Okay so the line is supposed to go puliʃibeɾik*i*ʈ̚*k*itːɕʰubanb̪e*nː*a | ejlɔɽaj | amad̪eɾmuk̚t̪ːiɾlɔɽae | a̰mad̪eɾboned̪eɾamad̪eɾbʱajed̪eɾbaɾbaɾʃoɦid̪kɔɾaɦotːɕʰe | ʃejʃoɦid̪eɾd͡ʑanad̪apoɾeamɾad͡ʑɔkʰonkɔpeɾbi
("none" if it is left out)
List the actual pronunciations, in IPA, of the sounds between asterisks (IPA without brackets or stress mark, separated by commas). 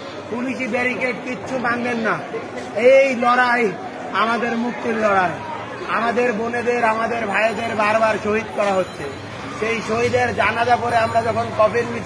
e, k, nː